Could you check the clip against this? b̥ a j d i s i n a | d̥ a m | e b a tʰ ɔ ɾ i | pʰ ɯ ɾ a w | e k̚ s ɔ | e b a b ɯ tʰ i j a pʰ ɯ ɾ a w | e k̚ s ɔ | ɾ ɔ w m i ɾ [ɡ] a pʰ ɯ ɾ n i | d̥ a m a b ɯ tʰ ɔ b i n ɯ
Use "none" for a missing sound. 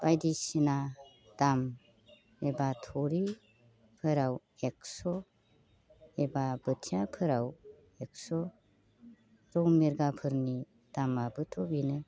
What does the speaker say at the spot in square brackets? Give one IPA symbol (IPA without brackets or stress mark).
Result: ɡ